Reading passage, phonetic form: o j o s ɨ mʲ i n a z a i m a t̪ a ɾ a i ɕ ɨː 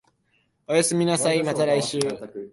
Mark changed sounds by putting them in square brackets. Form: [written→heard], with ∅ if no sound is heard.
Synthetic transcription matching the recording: o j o s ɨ mʲ i n a [z→s] a i m a t̪ a ɾ a i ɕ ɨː